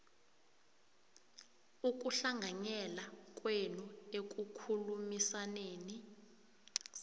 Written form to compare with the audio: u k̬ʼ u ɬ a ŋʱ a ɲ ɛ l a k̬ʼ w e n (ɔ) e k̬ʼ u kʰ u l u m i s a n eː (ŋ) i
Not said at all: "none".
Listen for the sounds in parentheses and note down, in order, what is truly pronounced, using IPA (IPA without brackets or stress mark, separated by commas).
u, n